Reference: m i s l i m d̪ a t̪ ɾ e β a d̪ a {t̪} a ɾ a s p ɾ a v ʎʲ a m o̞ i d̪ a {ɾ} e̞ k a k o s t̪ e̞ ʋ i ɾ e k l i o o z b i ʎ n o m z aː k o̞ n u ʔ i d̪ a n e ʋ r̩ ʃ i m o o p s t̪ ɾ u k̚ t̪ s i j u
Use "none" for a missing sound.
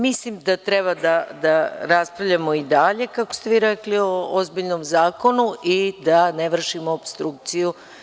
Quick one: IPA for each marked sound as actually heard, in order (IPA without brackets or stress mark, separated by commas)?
d̪, ʎ